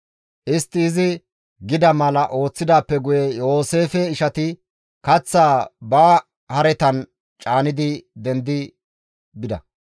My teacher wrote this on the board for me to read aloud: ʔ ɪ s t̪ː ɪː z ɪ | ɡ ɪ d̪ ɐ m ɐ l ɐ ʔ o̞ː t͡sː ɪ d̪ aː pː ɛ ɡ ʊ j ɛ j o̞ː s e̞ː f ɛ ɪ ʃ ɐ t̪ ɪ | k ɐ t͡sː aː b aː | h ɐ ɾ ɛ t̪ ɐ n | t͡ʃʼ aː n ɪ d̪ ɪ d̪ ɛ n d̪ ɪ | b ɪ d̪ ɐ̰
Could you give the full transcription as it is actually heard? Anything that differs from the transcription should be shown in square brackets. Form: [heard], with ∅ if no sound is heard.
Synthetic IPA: ʔ ɪ s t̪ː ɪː z ɪ | ɡ ɪ d̪ ɐ m ɐ l ɐ ʔ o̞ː t͡sː ɪ d̪ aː pː ɛ ɡ ʊ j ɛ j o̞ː s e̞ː f ɛ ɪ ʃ ɐ t̪ ɪ | k ɐ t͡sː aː b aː | h ɐ ɾ ɛ t̪ ɐ n | t͡ʃʼ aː n ɪ d̪ ɪ d̪ ɛ n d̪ ɪ | b ɪ d̪ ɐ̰